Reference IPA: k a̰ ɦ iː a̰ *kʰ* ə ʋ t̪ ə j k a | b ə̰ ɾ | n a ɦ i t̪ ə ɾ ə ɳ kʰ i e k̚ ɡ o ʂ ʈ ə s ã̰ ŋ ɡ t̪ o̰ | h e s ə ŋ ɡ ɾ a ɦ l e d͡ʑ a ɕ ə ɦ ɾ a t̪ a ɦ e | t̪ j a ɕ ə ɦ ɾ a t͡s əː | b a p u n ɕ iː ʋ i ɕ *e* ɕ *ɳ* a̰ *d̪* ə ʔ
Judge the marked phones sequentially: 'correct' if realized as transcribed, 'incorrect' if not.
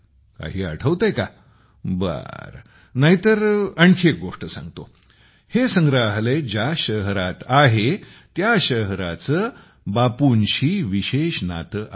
incorrect: ʈʰ, correct, incorrect: n, incorrect: t̪

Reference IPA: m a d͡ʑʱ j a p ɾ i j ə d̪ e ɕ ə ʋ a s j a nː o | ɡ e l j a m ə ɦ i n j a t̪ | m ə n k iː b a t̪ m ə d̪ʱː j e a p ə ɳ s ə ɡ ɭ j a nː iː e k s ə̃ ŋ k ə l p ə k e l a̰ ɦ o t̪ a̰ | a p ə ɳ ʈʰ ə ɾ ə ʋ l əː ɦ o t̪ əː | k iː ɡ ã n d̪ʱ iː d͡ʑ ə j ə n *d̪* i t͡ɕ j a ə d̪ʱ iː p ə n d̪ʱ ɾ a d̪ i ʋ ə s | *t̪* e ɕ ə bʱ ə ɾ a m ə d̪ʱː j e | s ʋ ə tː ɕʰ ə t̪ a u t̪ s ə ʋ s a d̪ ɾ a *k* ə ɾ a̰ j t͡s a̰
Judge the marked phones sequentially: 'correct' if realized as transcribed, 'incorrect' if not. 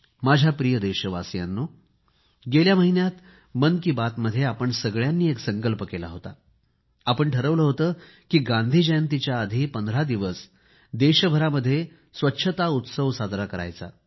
incorrect: t̪, incorrect: d̪, correct

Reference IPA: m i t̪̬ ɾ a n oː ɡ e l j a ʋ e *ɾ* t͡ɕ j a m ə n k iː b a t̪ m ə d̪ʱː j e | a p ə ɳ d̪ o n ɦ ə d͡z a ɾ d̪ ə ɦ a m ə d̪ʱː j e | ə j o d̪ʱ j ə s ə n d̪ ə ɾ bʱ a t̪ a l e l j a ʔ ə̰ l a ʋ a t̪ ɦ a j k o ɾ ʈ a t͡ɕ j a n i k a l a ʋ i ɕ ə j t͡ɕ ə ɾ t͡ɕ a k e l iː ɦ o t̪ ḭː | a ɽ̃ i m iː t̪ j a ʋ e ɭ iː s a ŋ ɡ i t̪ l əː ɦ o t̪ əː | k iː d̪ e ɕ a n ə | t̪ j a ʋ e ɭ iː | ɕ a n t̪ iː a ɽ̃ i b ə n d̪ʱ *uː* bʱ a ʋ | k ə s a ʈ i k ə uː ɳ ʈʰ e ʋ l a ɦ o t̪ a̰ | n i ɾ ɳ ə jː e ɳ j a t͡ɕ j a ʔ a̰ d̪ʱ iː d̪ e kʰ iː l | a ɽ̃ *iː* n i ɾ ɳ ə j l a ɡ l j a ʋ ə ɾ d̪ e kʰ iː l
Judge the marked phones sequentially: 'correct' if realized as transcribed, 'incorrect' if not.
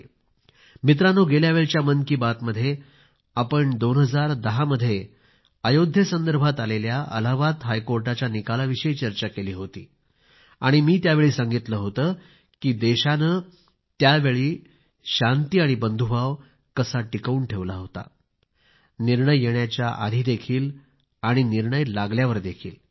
incorrect: ɭ, incorrect: u, incorrect: i

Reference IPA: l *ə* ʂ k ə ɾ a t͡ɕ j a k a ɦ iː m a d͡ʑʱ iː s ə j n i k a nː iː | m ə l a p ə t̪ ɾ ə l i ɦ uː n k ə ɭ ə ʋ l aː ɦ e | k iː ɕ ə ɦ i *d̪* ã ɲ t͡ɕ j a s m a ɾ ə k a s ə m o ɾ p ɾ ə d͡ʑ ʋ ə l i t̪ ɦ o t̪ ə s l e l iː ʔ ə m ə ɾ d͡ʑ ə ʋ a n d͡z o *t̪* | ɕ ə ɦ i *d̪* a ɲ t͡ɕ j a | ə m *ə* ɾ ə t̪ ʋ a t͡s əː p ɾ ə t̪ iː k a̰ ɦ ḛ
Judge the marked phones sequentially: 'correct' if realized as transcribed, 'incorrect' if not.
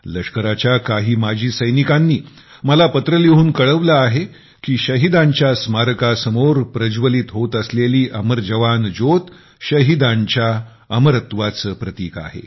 correct, correct, correct, correct, correct

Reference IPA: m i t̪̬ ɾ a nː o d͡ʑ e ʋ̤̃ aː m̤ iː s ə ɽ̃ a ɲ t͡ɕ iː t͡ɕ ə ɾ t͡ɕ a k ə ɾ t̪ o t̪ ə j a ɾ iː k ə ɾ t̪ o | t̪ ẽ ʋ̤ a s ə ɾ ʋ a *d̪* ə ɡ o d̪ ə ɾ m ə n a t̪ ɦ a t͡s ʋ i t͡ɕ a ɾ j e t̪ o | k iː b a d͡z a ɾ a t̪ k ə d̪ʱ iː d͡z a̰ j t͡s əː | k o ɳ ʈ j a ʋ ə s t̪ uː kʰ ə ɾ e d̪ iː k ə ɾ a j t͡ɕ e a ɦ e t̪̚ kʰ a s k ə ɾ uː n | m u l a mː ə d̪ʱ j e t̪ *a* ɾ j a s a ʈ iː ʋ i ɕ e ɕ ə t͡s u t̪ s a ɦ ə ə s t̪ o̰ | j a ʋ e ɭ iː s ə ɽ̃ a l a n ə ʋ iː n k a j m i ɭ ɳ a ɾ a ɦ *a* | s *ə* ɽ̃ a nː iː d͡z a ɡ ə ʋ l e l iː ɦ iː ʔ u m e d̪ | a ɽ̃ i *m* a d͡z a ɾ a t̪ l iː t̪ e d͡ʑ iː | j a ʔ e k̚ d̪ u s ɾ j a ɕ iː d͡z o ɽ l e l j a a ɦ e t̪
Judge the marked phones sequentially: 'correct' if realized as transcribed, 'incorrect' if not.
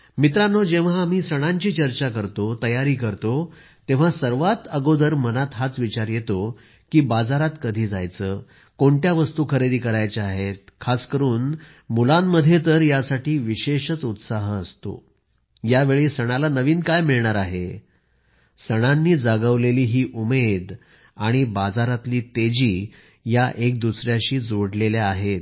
incorrect: t̪, incorrect: ə, incorrect: e, correct, incorrect: b

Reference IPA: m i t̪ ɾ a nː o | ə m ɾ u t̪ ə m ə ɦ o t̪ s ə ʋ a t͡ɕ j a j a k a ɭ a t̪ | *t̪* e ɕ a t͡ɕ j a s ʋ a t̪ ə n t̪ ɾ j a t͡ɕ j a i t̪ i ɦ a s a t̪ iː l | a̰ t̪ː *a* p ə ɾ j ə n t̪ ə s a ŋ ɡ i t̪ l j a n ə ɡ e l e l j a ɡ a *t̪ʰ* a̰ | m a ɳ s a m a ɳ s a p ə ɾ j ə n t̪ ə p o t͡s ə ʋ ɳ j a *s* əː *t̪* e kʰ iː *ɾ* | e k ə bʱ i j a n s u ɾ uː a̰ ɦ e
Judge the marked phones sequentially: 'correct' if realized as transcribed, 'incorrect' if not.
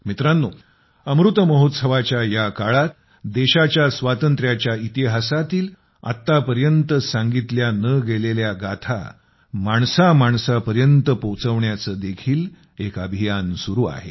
incorrect: d̪, correct, correct, incorrect: t͡s, incorrect: d̪, incorrect: l

